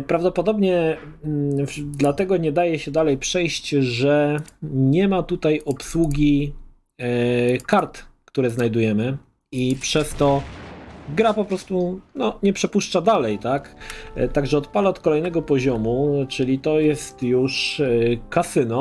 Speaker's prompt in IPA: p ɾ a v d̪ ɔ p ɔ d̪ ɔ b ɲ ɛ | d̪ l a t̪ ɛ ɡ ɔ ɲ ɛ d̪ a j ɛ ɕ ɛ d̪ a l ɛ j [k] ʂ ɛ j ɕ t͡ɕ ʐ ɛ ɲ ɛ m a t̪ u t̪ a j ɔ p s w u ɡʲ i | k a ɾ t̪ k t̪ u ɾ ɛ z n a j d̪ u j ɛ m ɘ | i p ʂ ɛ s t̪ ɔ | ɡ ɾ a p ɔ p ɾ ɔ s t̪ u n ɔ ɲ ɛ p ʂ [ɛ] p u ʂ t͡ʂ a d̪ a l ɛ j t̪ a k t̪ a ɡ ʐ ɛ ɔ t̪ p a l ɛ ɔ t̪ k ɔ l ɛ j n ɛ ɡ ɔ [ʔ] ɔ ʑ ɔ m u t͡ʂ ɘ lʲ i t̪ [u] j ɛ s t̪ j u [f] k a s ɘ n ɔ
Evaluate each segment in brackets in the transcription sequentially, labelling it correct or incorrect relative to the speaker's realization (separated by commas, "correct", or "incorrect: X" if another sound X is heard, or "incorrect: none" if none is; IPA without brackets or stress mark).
incorrect: p, correct, incorrect: p, incorrect: ɔ, incorrect: ʂ